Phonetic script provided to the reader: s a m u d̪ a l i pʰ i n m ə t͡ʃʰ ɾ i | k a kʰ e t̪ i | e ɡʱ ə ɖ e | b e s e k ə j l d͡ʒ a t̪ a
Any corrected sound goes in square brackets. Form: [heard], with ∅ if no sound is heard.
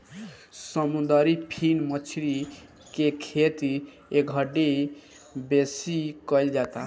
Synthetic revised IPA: s [ə] m u d̪ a [ɾ] i pʰ i n m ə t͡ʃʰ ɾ i | k [e] kʰ e t̪ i | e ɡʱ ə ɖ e | b e s [i] k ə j l d͡ʒ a t̪ a